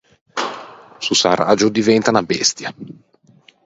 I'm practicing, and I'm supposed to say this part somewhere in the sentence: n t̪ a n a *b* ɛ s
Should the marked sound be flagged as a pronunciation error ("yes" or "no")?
no